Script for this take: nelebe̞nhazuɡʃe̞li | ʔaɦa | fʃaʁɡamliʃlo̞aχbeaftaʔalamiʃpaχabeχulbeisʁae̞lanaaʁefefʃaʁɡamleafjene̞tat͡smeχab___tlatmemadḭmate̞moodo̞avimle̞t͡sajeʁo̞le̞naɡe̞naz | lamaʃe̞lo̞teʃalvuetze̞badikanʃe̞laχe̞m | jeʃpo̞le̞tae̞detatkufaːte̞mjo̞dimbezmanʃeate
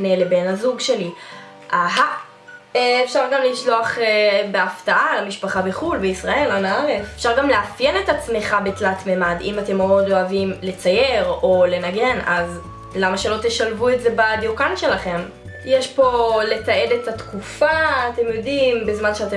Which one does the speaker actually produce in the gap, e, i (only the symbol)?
e